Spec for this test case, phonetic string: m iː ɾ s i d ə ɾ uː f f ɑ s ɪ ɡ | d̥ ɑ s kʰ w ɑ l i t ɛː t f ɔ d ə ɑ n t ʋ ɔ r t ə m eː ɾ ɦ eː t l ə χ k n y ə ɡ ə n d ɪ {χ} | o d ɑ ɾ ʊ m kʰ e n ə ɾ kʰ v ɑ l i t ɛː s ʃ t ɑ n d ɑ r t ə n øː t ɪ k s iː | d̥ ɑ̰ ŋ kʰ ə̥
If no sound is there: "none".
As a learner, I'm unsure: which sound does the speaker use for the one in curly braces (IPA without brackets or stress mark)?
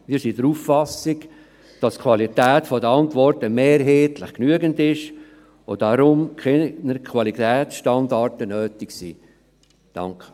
ʃ